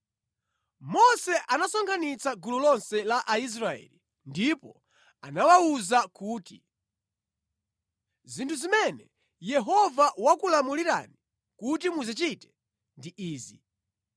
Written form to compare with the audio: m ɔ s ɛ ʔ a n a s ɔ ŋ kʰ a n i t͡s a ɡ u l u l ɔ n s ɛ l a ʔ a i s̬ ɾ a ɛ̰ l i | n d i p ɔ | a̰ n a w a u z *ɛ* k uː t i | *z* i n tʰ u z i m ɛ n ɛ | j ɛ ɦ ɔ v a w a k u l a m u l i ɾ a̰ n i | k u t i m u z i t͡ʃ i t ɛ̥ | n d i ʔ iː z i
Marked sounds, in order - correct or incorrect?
incorrect: a, correct

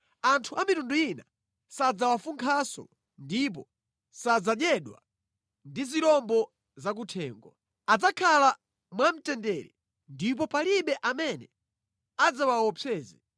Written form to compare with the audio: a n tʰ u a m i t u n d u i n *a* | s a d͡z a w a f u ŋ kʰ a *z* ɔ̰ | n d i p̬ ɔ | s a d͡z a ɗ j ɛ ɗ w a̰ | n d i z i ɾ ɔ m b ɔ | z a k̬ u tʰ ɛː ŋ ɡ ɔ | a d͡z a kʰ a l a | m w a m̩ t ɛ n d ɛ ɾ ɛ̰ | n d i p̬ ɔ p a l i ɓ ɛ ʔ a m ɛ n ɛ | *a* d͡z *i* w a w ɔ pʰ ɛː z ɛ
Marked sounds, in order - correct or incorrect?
correct, incorrect: s, correct, incorrect: a

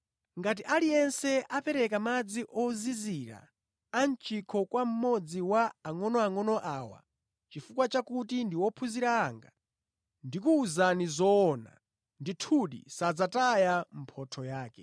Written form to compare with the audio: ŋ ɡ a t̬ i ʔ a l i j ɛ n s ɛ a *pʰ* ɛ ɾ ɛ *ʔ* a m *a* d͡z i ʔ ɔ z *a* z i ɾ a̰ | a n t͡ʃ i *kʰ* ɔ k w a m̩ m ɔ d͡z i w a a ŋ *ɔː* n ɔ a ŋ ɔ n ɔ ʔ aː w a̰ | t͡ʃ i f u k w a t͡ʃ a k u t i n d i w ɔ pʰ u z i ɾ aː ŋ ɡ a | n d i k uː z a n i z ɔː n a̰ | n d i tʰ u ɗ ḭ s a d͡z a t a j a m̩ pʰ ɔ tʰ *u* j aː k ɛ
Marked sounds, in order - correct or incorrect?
incorrect: p, incorrect: k, correct, incorrect: i, correct, incorrect: ɔ, incorrect: ɔ

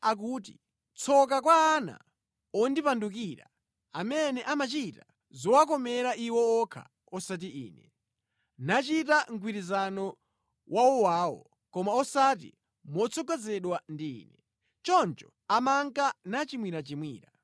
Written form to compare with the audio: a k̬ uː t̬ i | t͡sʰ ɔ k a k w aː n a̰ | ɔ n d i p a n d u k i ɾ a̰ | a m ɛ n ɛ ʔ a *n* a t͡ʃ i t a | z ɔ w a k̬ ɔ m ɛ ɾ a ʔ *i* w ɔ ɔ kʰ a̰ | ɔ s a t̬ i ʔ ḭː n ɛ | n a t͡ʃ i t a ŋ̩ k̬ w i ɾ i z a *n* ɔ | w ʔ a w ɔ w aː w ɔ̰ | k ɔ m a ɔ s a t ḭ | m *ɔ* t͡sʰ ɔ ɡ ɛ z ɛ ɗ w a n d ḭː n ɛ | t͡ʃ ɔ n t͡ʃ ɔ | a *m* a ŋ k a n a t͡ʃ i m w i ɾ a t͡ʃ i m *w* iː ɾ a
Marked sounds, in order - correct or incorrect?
incorrect: m, correct, correct, correct, correct, correct

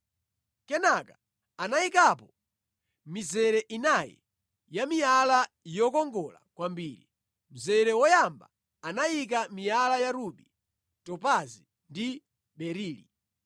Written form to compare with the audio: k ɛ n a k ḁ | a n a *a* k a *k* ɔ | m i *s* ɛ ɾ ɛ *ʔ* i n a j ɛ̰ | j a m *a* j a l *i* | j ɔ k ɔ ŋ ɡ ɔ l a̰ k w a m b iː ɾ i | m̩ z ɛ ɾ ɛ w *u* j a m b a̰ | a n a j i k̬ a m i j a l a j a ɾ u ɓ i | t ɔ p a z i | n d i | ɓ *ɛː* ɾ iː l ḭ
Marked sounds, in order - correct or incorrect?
incorrect: i, incorrect: p, incorrect: z, correct, incorrect: i, incorrect: a, incorrect: ɔ, incorrect: ɛ

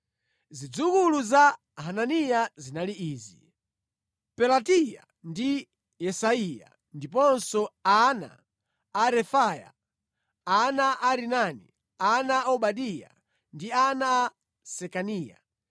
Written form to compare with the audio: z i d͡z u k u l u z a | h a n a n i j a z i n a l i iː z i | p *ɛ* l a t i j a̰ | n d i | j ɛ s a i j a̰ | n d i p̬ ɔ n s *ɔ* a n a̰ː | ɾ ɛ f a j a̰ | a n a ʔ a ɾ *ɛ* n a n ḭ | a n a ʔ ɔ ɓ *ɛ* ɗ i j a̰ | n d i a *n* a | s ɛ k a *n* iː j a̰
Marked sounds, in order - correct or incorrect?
correct, correct, incorrect: i, incorrect: a, correct, correct

